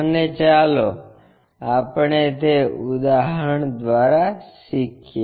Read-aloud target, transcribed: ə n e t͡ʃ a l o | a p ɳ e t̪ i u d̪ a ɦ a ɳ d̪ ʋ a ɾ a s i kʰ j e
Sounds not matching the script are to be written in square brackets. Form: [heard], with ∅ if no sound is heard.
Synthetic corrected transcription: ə n e t͡ʃ a l o | a p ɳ e t̪ [e] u d̪ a ɦ [ə] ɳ d̪ ʋ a ɾ a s i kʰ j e